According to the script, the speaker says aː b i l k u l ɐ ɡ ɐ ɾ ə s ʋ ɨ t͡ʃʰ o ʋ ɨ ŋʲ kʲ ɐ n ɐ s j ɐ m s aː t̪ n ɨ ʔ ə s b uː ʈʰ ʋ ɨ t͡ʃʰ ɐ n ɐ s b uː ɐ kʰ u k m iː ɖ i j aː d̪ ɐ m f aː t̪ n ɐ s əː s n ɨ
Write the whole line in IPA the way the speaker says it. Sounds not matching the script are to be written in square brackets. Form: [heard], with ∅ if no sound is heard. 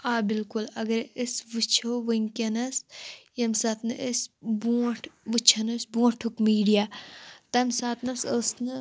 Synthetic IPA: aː b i l k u l ɐ ɡ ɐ ɾ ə s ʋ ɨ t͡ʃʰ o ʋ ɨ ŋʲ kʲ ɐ n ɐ s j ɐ m s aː t̪ n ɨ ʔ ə s b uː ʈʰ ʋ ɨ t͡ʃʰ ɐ n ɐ s b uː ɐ [ʈʰ] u k m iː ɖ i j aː [t̪] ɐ m [s] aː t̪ n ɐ s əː s n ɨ